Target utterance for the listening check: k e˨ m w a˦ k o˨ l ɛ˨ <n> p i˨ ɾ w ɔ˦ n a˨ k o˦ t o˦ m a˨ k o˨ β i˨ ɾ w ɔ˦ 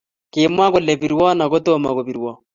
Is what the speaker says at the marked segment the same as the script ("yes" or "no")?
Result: no